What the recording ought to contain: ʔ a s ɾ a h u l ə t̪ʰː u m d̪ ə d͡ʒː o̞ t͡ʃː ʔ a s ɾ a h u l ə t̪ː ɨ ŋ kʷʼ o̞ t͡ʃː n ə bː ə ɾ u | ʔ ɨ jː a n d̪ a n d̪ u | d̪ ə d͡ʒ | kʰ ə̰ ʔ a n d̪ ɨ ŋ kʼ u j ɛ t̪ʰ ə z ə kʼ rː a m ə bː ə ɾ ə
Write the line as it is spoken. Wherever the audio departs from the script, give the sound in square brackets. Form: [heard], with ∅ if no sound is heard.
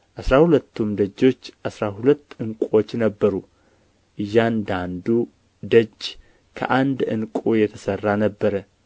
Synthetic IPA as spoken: ʔ a s ɾ a h u l ə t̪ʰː u m d̪ ə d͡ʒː o̞ t͡ʃː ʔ a s ɾ a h u l ə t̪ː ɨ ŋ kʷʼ o̞ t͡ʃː n ə bː ə ɾ u | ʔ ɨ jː a n d̪ a n d̪ u | d̪ ə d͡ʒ | kʰ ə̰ ʔ a n d̪ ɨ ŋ kʼ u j ɛ t̪ʰ ə [s] ə [∅] rː a [n] ə bː ə ɾ ə